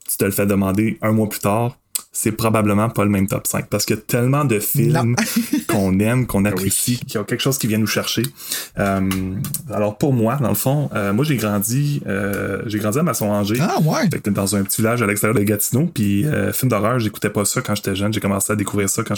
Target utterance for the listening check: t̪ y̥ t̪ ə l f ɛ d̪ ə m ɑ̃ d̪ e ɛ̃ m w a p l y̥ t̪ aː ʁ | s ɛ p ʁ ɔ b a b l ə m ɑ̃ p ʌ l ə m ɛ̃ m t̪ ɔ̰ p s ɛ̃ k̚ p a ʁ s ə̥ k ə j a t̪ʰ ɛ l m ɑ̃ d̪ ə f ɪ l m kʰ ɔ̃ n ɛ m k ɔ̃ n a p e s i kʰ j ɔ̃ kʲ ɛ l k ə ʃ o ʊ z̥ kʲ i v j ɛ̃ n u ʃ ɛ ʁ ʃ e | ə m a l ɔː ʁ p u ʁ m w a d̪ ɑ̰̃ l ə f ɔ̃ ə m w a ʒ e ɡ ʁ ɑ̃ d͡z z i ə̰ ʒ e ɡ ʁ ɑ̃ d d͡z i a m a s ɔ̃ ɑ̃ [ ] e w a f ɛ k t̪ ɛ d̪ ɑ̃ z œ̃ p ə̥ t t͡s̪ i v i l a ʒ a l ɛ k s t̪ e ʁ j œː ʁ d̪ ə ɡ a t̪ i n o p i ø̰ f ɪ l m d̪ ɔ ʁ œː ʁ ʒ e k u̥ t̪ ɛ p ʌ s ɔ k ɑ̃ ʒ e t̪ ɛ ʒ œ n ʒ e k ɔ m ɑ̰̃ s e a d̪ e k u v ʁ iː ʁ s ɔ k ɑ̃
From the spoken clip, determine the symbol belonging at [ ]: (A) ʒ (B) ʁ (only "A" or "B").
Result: A